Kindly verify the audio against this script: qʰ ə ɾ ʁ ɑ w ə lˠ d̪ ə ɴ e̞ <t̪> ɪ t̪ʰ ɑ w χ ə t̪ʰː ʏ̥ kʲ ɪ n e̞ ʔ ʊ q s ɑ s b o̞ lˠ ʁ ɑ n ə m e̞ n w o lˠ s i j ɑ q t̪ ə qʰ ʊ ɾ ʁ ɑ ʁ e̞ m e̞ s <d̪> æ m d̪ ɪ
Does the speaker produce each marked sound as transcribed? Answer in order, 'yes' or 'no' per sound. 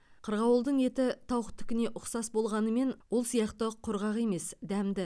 yes, yes

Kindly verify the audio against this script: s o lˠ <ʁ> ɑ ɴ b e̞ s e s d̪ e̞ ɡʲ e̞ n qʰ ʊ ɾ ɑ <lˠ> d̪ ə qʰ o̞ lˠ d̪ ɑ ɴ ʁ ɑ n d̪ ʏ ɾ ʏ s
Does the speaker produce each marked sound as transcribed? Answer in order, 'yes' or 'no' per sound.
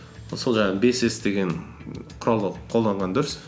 no, yes

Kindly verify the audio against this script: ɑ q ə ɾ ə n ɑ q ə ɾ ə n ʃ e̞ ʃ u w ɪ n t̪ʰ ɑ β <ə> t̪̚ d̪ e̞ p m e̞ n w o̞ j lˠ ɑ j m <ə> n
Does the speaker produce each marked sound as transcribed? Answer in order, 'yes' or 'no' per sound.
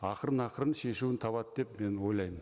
no, yes

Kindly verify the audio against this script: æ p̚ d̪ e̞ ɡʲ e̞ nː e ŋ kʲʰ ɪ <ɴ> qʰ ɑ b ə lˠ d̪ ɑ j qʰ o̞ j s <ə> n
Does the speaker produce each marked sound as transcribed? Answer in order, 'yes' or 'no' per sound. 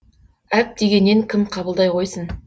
no, yes

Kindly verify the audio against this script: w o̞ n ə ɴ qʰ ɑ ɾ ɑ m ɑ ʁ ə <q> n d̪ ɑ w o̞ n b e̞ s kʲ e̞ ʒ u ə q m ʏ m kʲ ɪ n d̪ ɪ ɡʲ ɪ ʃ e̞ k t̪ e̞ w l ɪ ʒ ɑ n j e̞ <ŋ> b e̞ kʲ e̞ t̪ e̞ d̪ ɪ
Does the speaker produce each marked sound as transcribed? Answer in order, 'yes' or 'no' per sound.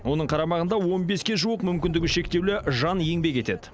no, yes

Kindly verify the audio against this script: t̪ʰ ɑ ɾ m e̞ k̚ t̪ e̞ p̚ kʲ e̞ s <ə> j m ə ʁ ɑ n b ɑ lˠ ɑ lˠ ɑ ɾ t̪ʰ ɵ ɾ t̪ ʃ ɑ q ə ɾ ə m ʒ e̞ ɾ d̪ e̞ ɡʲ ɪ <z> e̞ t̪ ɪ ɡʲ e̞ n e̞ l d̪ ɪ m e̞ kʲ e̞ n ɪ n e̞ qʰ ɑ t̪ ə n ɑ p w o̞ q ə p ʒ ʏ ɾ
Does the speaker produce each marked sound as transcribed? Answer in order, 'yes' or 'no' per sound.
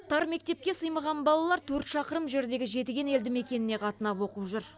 yes, no

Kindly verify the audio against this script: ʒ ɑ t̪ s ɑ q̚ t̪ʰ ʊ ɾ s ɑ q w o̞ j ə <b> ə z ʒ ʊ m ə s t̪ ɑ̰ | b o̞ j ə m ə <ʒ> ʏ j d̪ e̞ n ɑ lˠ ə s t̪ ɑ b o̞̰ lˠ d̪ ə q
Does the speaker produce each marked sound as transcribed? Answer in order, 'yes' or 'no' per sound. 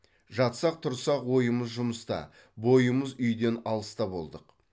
no, no

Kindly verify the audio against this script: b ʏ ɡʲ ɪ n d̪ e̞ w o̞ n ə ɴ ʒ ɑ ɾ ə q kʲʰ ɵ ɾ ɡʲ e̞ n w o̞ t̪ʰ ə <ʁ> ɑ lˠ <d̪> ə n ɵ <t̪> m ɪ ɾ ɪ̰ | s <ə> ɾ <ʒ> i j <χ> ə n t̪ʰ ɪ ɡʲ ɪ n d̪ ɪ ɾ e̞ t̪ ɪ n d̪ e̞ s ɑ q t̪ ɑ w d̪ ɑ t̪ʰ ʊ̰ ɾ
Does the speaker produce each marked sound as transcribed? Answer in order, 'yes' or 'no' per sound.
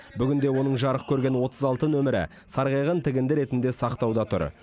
no, no, no, no, no, no

